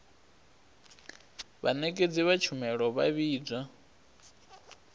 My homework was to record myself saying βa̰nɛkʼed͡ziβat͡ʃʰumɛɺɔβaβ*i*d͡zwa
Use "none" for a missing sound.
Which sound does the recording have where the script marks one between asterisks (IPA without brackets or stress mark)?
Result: iː